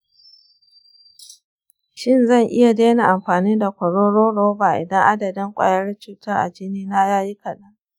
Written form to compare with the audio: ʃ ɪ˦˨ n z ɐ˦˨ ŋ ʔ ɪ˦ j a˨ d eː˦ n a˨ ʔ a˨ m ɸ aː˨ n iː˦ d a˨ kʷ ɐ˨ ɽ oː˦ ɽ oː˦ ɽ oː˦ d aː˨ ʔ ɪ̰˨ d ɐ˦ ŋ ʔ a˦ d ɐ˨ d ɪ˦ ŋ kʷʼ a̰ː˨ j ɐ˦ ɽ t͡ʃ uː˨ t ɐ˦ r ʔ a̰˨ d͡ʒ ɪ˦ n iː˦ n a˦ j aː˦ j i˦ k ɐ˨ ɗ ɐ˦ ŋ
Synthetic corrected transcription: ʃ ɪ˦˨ n z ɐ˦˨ ŋ ʔ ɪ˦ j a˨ d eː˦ n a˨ ʔ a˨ m ɸ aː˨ n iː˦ d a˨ kʷ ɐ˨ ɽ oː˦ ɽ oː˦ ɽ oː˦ b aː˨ ʔ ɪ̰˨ d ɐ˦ ŋ ʔ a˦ d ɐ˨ d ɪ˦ ŋ kʷʼ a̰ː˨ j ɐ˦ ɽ t͡ʃ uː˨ t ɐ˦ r ʔ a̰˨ d͡ʒ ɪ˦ n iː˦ n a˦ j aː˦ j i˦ k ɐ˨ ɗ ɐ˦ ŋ